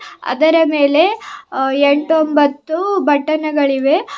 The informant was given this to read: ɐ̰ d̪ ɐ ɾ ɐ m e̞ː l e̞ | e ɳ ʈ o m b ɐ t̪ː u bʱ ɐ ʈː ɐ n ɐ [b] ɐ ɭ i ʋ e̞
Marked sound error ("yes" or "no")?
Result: yes